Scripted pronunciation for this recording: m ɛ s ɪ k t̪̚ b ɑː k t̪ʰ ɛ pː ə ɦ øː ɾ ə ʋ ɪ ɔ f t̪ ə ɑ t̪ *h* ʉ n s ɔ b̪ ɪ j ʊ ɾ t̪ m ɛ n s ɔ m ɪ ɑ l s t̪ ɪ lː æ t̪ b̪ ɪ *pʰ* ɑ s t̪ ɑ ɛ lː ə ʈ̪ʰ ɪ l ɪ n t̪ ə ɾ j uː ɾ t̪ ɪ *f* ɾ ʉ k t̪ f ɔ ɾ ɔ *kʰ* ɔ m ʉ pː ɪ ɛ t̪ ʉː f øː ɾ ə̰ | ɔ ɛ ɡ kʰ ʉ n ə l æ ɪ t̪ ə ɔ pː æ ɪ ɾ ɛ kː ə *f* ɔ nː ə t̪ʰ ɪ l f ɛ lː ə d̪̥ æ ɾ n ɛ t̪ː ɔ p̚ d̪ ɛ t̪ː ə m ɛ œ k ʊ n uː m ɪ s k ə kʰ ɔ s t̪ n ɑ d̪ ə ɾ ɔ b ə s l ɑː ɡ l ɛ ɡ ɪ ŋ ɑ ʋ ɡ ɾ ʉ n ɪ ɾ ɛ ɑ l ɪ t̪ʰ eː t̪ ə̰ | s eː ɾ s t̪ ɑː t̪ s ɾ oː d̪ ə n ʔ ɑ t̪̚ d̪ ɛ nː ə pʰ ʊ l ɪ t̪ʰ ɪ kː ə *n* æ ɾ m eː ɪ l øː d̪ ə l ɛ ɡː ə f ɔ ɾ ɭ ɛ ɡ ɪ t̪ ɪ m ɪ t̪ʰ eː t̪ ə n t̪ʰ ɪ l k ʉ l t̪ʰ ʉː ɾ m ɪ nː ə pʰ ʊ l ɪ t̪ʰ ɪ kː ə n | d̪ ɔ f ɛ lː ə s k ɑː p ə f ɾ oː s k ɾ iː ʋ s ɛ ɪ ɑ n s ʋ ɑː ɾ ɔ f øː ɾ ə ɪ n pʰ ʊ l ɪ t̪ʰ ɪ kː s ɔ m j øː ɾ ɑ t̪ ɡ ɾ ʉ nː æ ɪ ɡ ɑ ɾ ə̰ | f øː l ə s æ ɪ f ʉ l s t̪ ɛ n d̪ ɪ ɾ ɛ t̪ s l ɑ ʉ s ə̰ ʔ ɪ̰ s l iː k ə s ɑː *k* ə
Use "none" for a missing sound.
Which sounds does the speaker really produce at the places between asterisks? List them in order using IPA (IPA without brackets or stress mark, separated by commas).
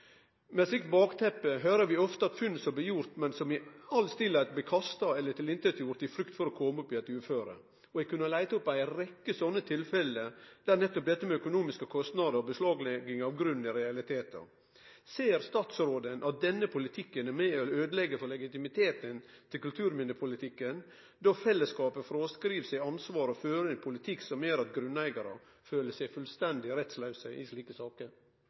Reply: f, kʰ, f, kʰ, s, n, k